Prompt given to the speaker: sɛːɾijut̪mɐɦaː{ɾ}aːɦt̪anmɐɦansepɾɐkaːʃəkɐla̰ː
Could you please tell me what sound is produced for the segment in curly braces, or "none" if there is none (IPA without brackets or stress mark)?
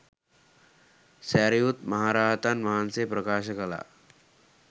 ɾ